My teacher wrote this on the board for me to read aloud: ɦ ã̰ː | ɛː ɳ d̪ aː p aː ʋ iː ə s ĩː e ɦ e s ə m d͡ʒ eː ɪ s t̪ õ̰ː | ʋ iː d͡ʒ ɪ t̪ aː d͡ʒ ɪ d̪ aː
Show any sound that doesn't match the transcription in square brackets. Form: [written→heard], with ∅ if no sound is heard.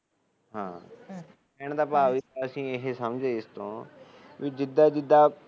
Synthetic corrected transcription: ɦ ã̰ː | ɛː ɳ d̪ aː p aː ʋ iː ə s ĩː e ɦ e s ə m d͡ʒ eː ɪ s t̪ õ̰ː | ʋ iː d͡ʒ ɪ [t̪→d̪] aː d͡ʒ ɪ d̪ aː